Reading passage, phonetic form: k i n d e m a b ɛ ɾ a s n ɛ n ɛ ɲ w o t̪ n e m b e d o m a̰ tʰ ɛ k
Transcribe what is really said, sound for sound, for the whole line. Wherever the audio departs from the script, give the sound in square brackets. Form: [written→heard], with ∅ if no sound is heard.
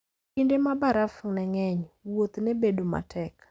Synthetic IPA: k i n d e m a b [ɛ→a] ɾ a [s→f] n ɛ [n→ŋ] ɛ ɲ w o t̪ n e [m→∅] b e d o m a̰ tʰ ɛ k